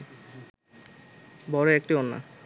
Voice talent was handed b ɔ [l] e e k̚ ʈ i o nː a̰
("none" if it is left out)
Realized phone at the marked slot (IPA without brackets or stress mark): ɾ